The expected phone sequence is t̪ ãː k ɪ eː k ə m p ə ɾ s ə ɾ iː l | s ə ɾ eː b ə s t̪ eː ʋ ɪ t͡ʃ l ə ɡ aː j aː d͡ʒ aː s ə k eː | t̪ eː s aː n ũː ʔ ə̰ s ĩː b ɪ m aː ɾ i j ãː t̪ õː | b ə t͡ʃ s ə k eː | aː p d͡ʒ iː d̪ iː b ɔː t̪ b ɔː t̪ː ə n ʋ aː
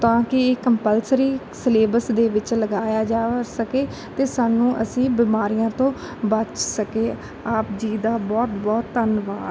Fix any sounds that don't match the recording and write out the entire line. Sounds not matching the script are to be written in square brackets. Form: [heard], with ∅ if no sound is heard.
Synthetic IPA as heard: t̪ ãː k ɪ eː k ə m p ə [l] s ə ɾ iː [∅] | s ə [l] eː b ə s [d̪] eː ʋ ɪ t͡ʃ l ə ɡ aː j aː d͡ʒ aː s ə k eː | t̪ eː s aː n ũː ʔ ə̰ s ĩː b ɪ m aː ɾ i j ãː t̪ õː | b ə t͡ʃ s ə k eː | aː p d͡ʒ iː d̪ [aː] b ɔː t̪ b ɔː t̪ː ə n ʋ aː